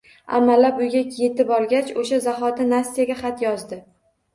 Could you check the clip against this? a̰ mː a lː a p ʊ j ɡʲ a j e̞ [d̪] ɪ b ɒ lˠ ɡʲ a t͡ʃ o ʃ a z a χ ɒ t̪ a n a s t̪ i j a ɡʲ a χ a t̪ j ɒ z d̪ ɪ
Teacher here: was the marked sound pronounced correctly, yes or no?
no